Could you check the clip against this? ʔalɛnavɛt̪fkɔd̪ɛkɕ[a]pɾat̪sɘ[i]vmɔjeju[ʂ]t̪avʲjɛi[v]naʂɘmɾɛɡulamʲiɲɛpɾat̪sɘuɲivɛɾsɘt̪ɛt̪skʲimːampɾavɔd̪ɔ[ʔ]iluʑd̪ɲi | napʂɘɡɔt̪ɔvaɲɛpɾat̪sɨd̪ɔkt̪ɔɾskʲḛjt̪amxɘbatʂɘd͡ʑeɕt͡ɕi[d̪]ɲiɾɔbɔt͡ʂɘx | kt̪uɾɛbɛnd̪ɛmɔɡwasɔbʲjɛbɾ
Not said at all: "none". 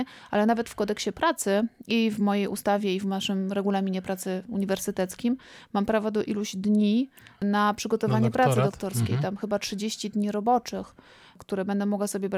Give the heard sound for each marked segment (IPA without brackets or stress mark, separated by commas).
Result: ɛ, i, s, v, ʔ, d̪